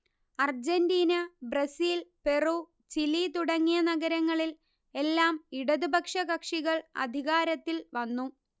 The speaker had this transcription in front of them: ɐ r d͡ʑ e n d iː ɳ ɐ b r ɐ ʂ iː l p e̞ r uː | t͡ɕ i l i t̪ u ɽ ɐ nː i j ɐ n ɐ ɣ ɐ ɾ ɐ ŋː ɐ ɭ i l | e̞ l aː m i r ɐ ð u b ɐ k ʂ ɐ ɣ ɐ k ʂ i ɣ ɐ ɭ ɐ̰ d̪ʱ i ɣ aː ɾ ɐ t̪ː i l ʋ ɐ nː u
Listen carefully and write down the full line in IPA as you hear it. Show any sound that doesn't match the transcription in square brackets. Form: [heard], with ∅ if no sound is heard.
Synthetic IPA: ɐ r d͡ʑ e n d iː [n] ɐ b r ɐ [s] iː l p e̞ r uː | t͡ɕ i l i t̪ u ɽ ɐ [ŋː] i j ɐ n ɐ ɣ ɐ ɾ ɐ ŋː ɐ ɭ i l | e̞ [lː] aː m i [ɽ] ɐ ð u b ɐ k ʂ ɐ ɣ ɐ k ʂ i ɣ ɐ ɭ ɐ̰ d̪ʱ i ɣ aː ɾ ɐ t̪ː i l ʋ ɐ nː u